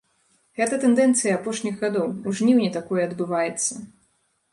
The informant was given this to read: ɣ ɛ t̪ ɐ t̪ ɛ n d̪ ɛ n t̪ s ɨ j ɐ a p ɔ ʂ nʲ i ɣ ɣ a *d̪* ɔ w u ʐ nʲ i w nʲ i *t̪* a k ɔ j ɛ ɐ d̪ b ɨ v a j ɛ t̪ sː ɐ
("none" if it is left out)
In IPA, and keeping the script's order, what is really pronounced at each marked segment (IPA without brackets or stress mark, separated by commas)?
d̪, t̪